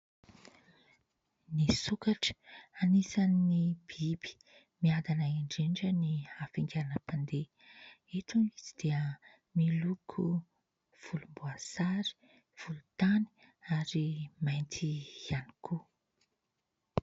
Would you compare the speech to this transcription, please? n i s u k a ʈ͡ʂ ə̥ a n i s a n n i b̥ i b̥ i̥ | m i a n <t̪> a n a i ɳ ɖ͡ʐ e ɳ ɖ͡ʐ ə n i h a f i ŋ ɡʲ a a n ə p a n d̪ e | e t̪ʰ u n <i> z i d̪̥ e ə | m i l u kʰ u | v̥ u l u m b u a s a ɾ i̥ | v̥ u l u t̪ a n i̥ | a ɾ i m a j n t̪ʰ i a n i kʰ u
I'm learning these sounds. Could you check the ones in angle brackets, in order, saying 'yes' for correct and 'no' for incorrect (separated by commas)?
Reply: no, yes